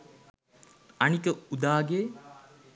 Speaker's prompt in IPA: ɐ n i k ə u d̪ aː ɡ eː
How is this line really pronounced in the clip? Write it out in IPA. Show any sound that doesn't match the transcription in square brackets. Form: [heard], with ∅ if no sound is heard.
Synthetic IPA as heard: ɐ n i k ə u d̪ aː ɡ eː

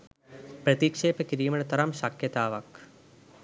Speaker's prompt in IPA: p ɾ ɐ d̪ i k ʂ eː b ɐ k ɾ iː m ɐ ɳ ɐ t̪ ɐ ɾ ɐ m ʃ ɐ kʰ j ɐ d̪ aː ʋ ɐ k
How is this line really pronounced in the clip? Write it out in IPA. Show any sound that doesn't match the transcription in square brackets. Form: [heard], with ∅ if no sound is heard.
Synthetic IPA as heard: p ɾ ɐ [t̪] i k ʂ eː [p] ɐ k ɾ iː m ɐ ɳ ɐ t̪ ɐ ɾ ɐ m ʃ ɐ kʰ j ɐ [t̪] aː ʋ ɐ k

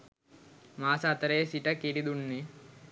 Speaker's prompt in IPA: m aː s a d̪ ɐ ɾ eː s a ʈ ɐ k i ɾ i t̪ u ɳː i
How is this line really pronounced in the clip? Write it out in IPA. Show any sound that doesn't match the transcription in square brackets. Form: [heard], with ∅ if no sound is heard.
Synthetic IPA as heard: m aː s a [t̪] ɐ ɾ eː s [i] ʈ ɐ k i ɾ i [d̪] u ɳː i

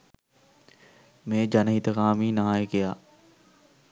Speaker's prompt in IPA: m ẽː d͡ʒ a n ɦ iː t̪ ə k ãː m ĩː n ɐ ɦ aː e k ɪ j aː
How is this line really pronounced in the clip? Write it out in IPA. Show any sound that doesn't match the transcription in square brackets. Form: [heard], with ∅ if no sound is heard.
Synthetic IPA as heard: m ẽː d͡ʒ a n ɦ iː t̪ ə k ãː m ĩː n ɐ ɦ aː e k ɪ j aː

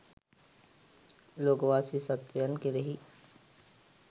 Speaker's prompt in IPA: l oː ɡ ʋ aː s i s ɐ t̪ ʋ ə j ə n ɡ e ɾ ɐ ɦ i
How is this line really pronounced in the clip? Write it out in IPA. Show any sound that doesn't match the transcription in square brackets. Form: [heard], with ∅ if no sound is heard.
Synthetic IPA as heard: l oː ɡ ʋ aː s i s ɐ t̪ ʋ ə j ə n [k] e ɾ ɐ ɦ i

